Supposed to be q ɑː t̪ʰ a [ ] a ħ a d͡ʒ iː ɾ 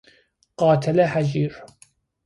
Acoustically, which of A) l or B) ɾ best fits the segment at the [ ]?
A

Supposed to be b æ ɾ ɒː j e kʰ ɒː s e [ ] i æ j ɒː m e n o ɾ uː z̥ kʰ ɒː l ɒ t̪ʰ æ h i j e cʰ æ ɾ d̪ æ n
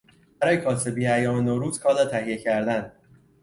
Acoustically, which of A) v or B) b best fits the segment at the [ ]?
B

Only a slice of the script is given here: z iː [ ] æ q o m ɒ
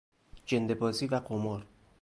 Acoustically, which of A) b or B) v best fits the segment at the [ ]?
B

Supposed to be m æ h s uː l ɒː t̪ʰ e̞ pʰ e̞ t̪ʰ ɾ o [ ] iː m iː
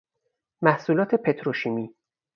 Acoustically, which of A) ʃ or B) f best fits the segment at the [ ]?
A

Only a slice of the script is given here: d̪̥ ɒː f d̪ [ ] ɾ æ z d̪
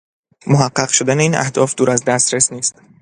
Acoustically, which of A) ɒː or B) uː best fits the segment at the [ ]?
B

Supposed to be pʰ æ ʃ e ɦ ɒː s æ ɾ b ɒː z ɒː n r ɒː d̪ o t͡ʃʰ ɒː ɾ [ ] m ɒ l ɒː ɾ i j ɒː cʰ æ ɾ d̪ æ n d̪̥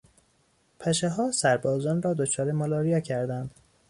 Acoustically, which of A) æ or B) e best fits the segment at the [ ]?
B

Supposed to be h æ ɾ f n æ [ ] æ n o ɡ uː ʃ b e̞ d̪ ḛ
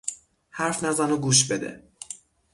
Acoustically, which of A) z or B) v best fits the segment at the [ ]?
A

